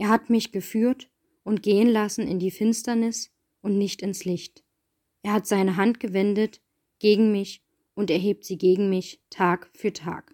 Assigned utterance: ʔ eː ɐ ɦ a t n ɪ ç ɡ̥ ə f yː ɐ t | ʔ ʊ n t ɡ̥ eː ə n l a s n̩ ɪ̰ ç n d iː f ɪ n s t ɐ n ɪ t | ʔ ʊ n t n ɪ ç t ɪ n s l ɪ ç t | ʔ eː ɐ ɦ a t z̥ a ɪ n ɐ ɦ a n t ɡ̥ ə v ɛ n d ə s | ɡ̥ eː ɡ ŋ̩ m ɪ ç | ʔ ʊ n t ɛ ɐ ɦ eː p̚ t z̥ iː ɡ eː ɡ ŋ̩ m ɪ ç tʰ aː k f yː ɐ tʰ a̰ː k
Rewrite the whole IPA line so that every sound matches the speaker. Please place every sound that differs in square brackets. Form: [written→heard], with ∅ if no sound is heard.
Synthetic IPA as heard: ʔ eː ɐ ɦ a t [n→m] ɪ ç ɡ̥ ə f yː ɐ t | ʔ ʊ n t ɡ̥ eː ə n l a s n̩ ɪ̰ [ç→∅] n d iː f ɪ n s t ɐ n ɪ [t→s] | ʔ ʊ n t n ɪ ç t ɪ n s l ɪ ç t | ʔ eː ɐ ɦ a t z̥ a ɪ n [ɐ→ə] ɦ a n t ɡ̥ ə v ɛ n d ə [s→t] | ɡ̥ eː ɡ ŋ̩ m ɪ ç | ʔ ʊ n t ɛ ɐ ɦ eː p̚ t z̥ iː ɡ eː ɡ ŋ̩ m ɪ ç tʰ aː k f yː ɐ tʰ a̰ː k